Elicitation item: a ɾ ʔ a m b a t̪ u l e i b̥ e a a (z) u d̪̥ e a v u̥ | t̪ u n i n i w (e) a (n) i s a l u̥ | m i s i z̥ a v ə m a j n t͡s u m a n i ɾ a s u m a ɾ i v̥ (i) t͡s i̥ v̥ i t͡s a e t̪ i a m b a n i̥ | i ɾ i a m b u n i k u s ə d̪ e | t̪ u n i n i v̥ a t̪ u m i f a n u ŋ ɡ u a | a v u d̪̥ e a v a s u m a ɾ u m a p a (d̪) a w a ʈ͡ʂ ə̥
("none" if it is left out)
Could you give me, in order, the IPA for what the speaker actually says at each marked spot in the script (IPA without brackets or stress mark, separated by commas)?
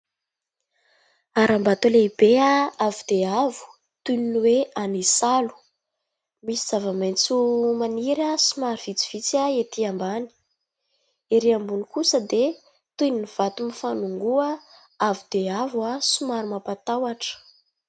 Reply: v, e, n, i, t̪